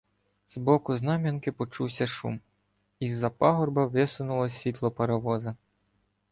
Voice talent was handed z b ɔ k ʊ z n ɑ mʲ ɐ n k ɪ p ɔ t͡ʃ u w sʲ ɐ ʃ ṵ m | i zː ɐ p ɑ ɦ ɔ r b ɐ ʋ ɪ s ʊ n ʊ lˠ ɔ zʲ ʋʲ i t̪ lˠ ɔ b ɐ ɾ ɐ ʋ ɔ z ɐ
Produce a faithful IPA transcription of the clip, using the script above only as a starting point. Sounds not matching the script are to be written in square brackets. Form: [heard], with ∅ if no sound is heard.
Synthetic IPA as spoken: z b ɔ k ʊ z n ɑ mʲ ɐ n k ɪ p ɔ t͡ʃ u w sʲ ɐ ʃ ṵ m | i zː ɐ p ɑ ɦ ɔ r b ɐ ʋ ɪ s ʊ n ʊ lˠ ɔ [sʲ] ʋʲ i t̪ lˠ ɔ [p] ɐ ɾ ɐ ʋ ɔ z ɐ